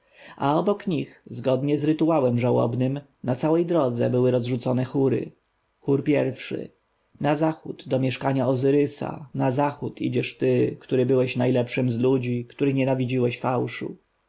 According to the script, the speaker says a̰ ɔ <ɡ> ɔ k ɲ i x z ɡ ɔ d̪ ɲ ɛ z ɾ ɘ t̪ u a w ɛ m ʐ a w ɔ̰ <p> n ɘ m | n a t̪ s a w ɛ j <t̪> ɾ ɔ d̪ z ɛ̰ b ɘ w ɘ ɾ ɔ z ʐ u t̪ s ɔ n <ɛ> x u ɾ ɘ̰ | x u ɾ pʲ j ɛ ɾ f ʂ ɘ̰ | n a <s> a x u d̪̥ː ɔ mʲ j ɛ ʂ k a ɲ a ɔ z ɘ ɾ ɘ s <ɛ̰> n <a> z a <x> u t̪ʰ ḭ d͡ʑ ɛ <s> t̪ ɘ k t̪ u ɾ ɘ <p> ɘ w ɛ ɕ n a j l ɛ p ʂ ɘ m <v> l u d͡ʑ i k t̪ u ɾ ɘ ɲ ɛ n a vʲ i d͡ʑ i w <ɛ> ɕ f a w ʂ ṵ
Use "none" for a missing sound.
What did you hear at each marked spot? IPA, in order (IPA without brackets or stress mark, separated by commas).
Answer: b, b, d̪, ɛ, z, a̰, a, x, ʂ, b, z, ɛ